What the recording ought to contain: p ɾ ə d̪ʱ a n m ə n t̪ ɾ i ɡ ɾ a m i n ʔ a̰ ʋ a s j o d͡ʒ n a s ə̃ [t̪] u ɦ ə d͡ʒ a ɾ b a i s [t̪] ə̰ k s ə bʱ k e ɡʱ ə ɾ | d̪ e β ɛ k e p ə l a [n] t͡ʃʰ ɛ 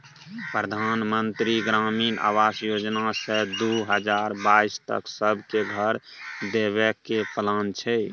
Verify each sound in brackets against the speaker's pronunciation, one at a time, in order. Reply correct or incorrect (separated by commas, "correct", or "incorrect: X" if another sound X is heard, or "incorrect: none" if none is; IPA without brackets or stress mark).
incorrect: d̪, correct, correct